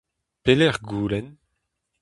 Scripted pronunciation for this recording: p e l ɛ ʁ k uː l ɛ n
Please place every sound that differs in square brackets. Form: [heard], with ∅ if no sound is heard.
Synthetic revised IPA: p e l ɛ ʁ [ɡ] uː l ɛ n